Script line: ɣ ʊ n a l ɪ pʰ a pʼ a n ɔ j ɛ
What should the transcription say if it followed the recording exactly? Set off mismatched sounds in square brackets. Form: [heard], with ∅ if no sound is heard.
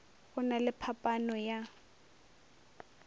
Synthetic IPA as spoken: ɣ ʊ n a l ɪ pʰ a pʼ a n ɔ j [a]